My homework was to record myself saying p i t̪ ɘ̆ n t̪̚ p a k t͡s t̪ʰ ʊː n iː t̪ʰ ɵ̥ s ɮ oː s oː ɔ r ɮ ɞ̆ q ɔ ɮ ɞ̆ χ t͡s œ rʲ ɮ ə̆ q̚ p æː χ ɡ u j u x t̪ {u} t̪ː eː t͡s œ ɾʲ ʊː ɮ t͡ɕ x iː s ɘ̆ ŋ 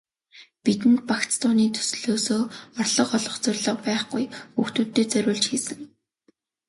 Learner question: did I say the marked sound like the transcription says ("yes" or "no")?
no